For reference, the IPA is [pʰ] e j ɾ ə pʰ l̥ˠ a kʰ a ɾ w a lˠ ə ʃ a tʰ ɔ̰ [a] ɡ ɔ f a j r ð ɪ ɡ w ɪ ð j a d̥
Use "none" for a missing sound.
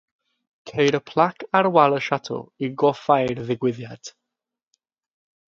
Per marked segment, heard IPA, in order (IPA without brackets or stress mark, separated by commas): kʰ, i